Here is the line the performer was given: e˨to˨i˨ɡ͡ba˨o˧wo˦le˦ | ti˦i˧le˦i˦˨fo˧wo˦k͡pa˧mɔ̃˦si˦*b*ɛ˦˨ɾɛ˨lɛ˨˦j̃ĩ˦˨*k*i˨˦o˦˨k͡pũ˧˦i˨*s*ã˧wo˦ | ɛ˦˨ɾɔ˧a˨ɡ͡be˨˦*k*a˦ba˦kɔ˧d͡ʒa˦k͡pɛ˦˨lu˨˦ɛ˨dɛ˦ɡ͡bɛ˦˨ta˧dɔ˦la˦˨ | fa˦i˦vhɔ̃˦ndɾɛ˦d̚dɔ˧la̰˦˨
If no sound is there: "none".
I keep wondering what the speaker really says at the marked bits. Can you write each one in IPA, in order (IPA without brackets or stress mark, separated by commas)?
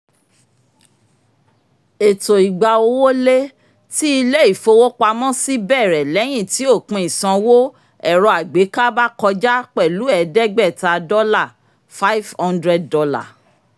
b, t, s, k